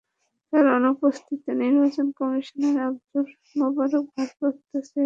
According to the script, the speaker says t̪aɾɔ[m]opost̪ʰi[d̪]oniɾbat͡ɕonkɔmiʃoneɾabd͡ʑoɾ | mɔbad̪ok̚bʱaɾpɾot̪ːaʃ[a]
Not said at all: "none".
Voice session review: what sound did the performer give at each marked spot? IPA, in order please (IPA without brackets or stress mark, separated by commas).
n, t̪, e